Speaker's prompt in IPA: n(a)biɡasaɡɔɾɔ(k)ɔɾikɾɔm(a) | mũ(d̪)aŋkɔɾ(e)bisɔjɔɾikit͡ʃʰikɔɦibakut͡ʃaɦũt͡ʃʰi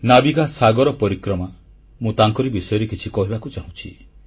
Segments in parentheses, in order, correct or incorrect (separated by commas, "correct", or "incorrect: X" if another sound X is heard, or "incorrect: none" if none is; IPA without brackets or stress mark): correct, incorrect: p, correct, incorrect: t̪, incorrect: i